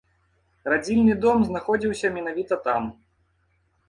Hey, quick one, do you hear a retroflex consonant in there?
no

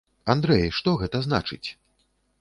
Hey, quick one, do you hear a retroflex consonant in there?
yes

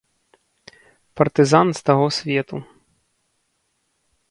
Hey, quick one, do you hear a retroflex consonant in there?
no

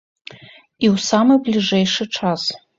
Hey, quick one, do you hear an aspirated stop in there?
yes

